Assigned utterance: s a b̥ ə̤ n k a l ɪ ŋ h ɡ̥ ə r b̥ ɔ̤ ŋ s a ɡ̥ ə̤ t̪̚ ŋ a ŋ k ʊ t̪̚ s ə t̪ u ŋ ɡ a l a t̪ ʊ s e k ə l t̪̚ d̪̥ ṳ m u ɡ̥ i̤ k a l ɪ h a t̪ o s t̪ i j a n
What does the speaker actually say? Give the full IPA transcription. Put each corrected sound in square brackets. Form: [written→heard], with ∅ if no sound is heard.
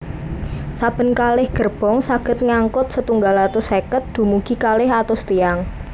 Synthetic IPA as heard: s a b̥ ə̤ n k a l ɪ [ŋ→∅] h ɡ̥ ə r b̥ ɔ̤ ŋ s a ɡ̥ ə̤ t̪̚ ŋ a ŋ k ʊ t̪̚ s ə t̪ u ŋ ɡ a l a t̪ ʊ s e k ə [l→∅] t̪̚ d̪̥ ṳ m u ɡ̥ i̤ k a l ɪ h a t̪ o s t̪ i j a [n→ŋ]